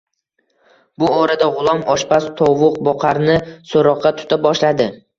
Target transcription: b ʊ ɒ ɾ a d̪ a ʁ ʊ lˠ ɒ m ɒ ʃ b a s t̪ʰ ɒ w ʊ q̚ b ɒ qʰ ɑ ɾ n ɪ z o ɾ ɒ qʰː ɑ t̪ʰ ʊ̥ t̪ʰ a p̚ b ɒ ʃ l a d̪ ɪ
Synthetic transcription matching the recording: b ʊ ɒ ɾ a d̪ a ʁ ʊ lˠ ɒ m ɒ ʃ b a s t̪ʰ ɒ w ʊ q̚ b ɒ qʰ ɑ ɾ n ɪ s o ɾ ɒ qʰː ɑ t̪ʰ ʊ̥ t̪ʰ a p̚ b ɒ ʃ l a d̪ ɪ

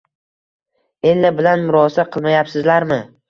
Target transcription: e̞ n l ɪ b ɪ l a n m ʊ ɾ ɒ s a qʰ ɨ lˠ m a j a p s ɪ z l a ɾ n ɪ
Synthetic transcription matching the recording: e̞ n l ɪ b ɪ l a n m ʊ ɾ ɒ s a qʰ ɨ lˠ m a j a p s ɪ z l a ɾ m ɪ

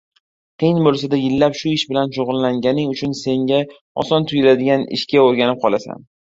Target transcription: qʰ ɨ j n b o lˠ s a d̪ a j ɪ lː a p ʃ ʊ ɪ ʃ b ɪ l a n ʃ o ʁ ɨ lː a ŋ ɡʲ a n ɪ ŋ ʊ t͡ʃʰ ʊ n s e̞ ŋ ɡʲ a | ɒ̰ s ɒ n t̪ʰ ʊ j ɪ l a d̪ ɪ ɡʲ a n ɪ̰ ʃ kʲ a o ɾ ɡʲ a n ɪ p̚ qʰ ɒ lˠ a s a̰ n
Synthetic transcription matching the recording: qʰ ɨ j n b o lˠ s a d̪ a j ɪ lː a p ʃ ʊ ɪ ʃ b ɪ l a n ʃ o ʁ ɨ lː a ŋ ɡʲ a n ɪ ŋ ʊ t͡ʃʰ ʊ n s e̞ ŋ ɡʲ a | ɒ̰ s ɒ n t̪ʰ ʊ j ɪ l a d̪ ɪ ɡʲ a n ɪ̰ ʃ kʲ a o ɾ ɡʲ a n ɪ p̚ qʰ ɒ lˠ a s a̰ n

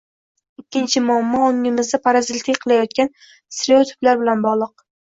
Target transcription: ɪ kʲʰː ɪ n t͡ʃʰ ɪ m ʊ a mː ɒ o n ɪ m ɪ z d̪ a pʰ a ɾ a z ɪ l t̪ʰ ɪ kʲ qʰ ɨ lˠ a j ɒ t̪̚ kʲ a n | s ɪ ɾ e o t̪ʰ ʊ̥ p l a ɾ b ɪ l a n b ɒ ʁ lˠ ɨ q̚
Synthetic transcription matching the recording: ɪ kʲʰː ɪ n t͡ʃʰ ɪ m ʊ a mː ɒ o ŋ ɪ m ɪ z d̪ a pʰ a ɾ a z ɪ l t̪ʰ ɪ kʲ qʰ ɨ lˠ a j ɒ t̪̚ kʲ a n | s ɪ ɾ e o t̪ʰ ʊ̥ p l a ɾ b ɪ l a n b ɒ ʁ lˠ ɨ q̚

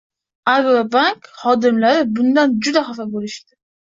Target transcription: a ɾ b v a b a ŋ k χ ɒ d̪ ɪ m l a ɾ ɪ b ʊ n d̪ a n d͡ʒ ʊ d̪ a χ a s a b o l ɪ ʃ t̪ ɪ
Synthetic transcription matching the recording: a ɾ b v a b a ŋ k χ ɒ d̪ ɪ m l a ɾ ɪ b ʊ n d̪ a n d͡ʒ ʊ d̪ a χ a f a b o l ɪ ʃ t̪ ɪ

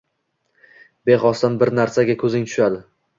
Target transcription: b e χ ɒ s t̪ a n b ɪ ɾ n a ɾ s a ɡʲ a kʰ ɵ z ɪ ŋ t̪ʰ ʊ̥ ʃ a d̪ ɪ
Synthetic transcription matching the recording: b e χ ɒ s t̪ a n b ɪ ɾ n a ɾ s a ɡʲ a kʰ ɵ z ɪ ŋ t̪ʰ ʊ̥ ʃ a d̪ ɪ

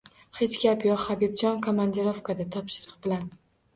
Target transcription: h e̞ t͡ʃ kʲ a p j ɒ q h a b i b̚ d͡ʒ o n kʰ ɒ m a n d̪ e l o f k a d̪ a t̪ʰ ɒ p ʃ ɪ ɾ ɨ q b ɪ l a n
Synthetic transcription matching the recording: h e̞ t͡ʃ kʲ a p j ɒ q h a b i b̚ d͡ʒ ɒ n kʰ o m a n d̪ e ɾ o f k a d̪ a t̪ʰ ɒ p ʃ ɪ ɾ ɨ q b ɪ l a n

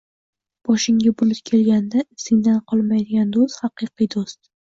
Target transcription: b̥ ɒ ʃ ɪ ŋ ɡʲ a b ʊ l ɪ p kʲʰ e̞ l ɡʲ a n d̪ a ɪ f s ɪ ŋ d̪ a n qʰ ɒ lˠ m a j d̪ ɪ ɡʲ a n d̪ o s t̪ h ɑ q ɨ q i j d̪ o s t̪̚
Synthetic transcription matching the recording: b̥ ɒ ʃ ɪ ŋ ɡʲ a b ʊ l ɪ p kʲʰ e̞ l ɡʲ a n d̪ a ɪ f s ɪ ŋ d̪ a n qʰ ɒ lˠ m a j d̪ ɪ ɡʲ a n d̪ o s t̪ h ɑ q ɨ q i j d̪ o s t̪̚

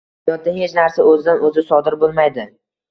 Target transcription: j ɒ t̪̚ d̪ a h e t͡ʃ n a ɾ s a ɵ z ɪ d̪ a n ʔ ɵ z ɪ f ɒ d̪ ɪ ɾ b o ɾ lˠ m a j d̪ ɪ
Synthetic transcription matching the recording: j ɒ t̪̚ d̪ a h e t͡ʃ n a ɾ s a ɵ z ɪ d̪ a n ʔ ɵ z ɪ s ɒ d̪ ɪ ɾ b o lˠ m a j d̪ ɪ

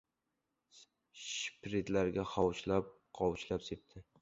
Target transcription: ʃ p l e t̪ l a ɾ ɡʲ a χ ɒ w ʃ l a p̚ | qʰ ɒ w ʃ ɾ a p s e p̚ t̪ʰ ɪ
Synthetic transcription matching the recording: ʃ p ɾ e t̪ l a ɾ ɡʲ a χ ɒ w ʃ l a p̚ | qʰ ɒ w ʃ l a p s e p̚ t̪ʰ ɪ

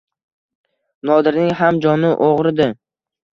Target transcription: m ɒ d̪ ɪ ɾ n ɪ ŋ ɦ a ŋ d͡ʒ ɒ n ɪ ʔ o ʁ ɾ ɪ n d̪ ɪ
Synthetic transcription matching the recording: n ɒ d̪ ɪ ɾ n ɪ ŋ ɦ a m d͡ʒ ɒ n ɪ ʔ o ʁ ɾ ɪ d̪ ɪ

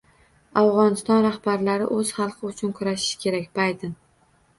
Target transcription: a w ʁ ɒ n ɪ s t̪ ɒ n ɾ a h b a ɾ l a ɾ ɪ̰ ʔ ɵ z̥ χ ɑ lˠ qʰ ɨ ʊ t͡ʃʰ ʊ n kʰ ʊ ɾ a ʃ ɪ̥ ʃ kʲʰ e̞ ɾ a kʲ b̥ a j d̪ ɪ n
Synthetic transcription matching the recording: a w ʁ ɒ n ɪ s t̪ ɒ n ɾ a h b a ɾ l a ɾ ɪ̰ ʔ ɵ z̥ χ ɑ lˠ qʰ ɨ ʊ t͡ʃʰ ʊ n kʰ ʊ ɾ a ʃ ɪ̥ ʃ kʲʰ e̞ ɾ a kʲ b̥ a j d̪ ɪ n

